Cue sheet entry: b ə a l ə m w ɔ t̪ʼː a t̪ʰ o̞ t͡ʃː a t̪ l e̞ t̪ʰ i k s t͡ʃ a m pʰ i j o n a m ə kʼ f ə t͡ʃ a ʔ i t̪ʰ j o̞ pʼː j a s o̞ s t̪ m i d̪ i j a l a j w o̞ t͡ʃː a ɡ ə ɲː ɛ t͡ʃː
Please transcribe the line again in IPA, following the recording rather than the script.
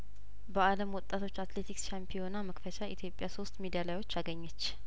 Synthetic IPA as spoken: b ə a l ə m w ɔ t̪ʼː a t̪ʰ o̞ t͡ʃː a t̪ l e̞ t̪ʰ i k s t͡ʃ a m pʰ i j o n a m ə k f ə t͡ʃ a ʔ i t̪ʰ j o̞ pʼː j a s o̞ s t̪ m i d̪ i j a l a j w o̞ t͡ʃː a ɡ ə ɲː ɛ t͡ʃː

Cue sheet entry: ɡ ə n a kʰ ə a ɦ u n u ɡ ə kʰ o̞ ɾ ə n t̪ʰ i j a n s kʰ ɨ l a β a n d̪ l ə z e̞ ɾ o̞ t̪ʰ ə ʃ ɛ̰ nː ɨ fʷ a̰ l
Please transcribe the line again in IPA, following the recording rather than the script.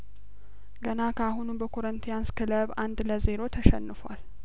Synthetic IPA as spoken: ɡ ə n a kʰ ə a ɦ u n u b ə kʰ o̞ ɾ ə n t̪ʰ i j a n s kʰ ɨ l ə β a n d̪ l ə z e̞ ɾ o̞ t̪ʰ ə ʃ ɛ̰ nː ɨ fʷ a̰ l

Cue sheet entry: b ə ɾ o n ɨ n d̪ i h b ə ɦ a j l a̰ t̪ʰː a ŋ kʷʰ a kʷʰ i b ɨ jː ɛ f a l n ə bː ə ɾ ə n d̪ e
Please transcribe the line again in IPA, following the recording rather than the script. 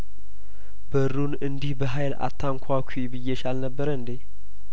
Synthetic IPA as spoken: b ə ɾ u n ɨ n d̪ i h b ə ɦ a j l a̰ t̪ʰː a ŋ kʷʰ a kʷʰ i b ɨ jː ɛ ʃ a l n ə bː ə ɾ ə n d̪ e

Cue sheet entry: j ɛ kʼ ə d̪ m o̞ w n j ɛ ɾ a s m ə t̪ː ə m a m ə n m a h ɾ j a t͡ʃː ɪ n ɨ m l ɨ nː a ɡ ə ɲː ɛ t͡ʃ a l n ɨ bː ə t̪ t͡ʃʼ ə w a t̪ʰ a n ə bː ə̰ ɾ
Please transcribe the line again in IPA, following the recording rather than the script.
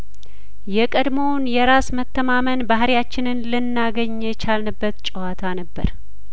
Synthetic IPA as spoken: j ɛ kʼ ə d̪ m o̞ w n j ɛ ɾ a s m ə t̪ː ə m a m ə n b a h ɾ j a t͡ʃː ɪ n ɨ n l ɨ nː a ɡ ə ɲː ɛ t͡ʃ a l n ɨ bː ə t̪ t͡ʃʼ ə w a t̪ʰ a n ə bː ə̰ ɾ

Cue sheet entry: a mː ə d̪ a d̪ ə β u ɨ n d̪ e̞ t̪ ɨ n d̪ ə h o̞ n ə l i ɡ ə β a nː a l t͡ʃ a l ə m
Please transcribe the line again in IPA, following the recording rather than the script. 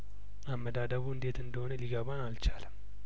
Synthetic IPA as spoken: a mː ə d̪ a d̪ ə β u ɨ n d̪ e̞ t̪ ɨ n d̪ ə h o̞ n ə l i ɡ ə β a n a l t͡ʃ a l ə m

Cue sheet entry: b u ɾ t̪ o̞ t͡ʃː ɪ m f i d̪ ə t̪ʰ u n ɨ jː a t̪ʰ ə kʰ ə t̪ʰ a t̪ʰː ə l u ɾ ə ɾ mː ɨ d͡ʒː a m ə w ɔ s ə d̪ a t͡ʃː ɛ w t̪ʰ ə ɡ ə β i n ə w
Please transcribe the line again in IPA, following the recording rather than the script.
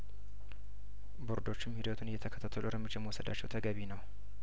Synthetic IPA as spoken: b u ɾ d̪ o̞ t͡ʃː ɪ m h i d̪ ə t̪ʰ u n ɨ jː ɛ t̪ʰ ə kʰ ə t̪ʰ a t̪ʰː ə l u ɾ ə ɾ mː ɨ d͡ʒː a m ə w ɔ s ə d̪ a t͡ʃː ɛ w t̪ʰ ə ɡ ə β i n ə w

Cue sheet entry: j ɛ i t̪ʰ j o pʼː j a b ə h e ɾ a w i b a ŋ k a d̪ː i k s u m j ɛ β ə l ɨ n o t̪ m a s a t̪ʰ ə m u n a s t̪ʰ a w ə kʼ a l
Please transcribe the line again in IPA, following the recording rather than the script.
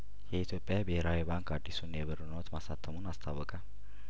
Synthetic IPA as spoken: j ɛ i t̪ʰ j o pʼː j a b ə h e ɾ a w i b a ŋ k a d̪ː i s u n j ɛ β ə ɾ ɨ n o t̪ m a s a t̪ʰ ə m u n a s t̪ʰ a w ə kʼ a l

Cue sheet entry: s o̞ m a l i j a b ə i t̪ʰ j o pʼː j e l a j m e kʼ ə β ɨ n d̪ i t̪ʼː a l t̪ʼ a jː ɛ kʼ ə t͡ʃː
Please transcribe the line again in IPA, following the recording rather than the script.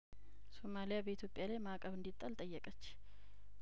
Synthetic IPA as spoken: s o̞ m a l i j a b ə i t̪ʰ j o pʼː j a l a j m a kʼ ə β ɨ n d̪ i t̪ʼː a l t̪ʼ ə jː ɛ kʼ ə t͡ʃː

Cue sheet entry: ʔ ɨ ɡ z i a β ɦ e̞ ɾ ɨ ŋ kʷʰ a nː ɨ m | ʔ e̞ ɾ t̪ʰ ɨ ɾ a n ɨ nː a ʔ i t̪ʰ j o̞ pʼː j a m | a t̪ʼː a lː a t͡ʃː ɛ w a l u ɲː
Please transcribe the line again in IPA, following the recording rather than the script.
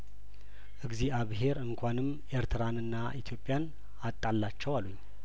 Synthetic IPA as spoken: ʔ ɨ ɡ z i a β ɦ e̞ ɾ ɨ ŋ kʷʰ a n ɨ m | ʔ e̞ ɾ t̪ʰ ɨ ɾ a n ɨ nː a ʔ i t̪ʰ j o̞ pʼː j a n | a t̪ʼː a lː a t͡ʃː ɛ w a l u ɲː

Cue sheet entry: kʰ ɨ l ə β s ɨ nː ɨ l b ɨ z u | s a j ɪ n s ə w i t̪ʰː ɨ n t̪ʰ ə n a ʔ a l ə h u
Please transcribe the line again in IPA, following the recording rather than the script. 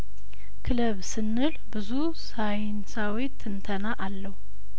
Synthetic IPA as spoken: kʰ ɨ l ə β s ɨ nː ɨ l b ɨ z u | s a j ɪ n s a w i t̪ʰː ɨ n t̪ʰ ə n a ʔ a lː ə h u

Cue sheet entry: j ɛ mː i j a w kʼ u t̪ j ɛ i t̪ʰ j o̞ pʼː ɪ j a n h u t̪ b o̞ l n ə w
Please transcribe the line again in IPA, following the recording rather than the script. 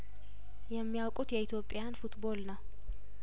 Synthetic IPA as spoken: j ɛ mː i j a w kʼ u t̪ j ɛ i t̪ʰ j o̞ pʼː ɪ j a n f u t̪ b o̞ l n ə w

